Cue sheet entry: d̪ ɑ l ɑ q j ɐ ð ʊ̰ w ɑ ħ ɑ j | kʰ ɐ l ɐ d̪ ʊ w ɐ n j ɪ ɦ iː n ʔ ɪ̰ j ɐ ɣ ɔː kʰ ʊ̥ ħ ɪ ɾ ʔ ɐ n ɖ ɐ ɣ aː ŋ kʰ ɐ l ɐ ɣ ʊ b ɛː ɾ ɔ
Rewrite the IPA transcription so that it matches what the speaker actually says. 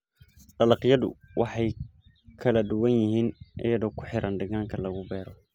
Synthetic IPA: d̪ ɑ l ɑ q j ɐ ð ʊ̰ w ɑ ħ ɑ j | kʰ ɐ l ɐ d̪ ʊ w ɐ n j ɪ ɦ iː n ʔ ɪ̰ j ɐ ð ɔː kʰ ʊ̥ ħ ɪ ɾ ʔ ɐ n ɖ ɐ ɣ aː ŋ kʰ ɐ l ɐ ɣ ʊ b ɛː ɾ ɔ